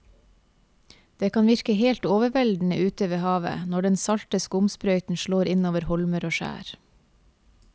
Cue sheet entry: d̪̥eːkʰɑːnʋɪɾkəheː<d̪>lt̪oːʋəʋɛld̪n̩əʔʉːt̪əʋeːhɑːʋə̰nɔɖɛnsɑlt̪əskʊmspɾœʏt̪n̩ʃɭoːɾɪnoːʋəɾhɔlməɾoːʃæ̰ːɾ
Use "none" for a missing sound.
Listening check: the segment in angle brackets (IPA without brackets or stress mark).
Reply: none